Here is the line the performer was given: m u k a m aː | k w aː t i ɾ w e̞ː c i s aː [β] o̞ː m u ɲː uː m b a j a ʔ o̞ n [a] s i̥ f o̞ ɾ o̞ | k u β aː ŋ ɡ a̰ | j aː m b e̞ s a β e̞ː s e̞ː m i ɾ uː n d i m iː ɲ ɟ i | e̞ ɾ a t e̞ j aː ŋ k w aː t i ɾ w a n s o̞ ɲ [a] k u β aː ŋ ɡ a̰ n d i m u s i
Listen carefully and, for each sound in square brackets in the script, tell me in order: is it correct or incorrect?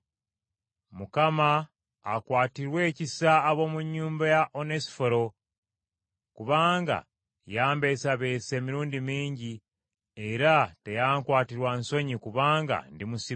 correct, incorrect, incorrect

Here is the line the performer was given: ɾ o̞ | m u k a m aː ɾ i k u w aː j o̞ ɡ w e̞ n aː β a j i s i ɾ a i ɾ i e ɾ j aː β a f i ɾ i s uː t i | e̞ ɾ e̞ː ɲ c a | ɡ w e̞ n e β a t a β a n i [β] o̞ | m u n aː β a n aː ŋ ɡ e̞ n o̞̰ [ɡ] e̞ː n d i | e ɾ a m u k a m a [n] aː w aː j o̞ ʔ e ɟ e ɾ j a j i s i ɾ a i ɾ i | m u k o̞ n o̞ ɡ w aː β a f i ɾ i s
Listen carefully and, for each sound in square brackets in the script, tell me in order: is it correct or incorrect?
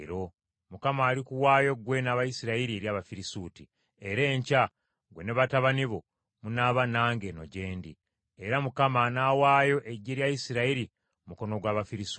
correct, incorrect, correct

